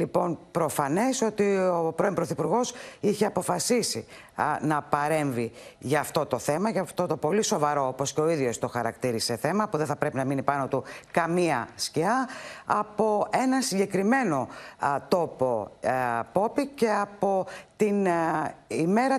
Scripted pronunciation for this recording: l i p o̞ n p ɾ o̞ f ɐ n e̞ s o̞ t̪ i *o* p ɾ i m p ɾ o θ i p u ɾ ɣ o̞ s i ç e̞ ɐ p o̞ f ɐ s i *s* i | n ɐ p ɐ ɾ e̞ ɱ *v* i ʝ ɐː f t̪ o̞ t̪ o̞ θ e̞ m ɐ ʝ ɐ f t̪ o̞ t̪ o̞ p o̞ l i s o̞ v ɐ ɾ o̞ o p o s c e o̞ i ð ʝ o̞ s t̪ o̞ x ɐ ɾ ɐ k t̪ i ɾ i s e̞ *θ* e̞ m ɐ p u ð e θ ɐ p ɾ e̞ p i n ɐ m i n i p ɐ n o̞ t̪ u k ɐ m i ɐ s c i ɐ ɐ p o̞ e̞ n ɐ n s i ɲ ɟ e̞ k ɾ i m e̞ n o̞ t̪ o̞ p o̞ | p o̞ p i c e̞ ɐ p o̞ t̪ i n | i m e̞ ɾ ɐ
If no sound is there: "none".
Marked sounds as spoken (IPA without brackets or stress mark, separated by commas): o, s, v, θ